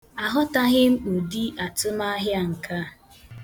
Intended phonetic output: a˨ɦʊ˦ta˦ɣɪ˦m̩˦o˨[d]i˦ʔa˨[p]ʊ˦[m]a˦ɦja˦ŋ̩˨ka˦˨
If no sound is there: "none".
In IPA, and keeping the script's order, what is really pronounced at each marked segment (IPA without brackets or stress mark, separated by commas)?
d, t, m